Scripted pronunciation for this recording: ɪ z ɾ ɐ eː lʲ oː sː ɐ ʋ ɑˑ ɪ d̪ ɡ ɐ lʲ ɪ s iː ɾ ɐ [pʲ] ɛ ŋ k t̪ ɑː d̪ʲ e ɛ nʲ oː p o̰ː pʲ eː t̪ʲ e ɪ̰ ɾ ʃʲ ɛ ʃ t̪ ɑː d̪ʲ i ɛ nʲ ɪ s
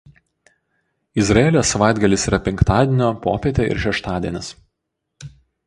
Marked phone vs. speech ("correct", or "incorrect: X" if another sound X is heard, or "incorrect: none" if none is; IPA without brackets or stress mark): correct